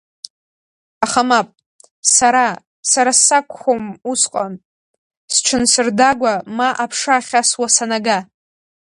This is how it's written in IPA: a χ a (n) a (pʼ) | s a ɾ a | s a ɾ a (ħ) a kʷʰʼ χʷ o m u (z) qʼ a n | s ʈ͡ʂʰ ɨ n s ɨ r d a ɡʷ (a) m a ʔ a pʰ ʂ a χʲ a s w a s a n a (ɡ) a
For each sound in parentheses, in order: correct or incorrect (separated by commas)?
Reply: incorrect, correct, incorrect, incorrect, correct, correct